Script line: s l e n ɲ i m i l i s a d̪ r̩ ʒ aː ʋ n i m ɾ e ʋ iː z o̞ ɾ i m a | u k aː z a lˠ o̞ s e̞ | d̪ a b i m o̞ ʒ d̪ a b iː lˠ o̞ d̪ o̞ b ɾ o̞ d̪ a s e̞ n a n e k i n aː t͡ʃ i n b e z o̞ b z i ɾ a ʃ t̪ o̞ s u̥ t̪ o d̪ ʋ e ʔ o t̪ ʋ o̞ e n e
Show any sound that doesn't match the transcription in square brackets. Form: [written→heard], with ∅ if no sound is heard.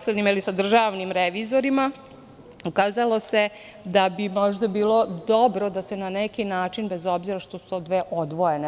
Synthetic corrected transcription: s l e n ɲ i m i l i s a d̪ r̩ ʒ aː ʋ n i m ɾ e ʋ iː z o̞ ɾ i m a | u k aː z a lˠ o̞ s e̞ | d̪ a b i m o̞ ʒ d̪ a b iː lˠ o̞ d̪ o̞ b ɾ o̞ d̪ a s e̞ n a n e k i n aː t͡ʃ i n b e z o̞ b z i ɾ a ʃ t̪ o̞ s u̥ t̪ o d̪ ʋ e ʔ o [t̪→d̪] ʋ o̞ e n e